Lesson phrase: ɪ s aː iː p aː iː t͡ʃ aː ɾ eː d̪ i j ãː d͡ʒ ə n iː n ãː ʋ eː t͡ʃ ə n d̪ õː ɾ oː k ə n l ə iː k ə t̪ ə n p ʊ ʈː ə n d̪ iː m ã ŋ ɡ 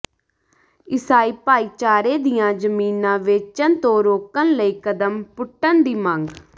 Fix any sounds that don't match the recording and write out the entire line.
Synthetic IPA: ɪ s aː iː p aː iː t͡ʃ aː ɾ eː d̪ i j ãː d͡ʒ ə m iː n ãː ʋ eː t͡ʃ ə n t̪ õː ɾ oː k ə n l ə iː k ə d̪ ə m p ʊ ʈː ə n d̪ iː m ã ŋ ɡ